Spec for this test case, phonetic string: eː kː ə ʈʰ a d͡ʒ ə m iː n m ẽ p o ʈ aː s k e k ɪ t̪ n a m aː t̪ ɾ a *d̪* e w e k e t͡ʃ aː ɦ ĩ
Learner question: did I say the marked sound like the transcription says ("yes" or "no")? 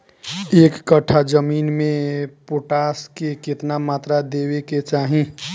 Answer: yes